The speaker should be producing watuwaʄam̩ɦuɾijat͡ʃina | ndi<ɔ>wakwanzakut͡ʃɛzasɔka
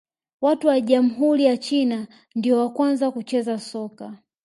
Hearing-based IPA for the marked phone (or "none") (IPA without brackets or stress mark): ɔ